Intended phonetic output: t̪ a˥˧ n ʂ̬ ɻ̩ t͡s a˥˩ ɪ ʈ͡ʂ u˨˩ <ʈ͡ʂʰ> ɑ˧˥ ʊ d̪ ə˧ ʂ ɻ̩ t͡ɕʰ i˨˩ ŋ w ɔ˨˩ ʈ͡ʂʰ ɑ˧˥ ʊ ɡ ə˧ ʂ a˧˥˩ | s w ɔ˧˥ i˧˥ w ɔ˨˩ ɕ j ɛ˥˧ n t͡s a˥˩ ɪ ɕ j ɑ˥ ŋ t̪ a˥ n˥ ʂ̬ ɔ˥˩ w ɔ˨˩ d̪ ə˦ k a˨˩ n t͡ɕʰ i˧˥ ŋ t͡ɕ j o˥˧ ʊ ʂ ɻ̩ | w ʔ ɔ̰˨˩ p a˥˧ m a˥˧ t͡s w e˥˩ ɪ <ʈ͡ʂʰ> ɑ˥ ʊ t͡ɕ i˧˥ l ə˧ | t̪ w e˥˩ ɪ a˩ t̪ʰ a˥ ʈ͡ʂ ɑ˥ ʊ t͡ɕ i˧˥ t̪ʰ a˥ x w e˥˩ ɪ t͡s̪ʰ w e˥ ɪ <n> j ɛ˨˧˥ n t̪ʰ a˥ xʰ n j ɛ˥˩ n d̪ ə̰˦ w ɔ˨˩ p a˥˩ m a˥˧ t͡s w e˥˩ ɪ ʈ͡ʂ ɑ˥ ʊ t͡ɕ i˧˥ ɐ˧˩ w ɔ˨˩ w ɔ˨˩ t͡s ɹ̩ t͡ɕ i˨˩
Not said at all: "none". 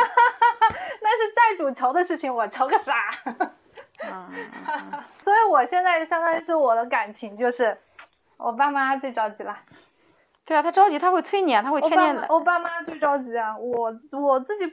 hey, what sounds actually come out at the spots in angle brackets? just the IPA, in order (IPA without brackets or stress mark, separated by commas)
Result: ʈ͡ʂʰ, ʈ͡ʂ, n